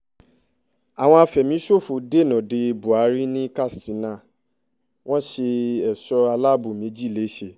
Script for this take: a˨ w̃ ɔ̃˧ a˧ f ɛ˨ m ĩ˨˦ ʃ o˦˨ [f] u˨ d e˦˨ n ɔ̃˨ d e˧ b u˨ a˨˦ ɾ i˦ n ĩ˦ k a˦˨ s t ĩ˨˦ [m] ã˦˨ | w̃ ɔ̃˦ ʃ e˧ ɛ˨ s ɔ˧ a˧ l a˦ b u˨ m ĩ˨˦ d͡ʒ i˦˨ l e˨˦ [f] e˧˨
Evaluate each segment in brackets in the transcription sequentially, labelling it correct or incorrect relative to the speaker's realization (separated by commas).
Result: correct, incorrect, incorrect